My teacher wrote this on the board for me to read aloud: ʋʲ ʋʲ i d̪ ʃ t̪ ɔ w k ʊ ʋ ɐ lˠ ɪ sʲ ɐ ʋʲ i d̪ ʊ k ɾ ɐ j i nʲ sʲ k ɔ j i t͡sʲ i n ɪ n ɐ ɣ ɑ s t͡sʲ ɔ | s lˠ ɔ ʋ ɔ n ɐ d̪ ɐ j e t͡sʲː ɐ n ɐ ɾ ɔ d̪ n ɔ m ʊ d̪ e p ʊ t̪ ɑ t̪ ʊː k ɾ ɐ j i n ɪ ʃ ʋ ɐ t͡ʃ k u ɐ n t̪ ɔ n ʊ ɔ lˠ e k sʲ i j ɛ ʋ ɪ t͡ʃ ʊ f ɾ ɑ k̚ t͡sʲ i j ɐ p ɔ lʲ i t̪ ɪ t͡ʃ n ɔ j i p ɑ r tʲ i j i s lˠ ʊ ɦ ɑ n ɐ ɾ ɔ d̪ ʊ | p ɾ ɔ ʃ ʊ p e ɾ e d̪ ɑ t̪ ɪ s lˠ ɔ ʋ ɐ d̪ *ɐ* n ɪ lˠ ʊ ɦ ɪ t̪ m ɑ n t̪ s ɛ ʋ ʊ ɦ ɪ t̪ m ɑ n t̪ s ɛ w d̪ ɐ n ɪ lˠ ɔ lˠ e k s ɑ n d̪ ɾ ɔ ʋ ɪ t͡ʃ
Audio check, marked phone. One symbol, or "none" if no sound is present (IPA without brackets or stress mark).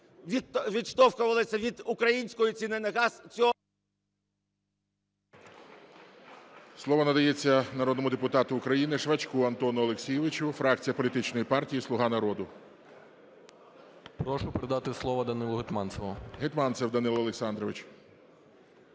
ɐ